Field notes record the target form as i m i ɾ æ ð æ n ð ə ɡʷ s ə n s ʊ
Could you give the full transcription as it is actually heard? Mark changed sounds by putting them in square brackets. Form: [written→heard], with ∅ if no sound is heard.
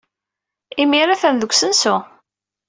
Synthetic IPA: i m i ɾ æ [ð→θ] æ n ð ə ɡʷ s ə n s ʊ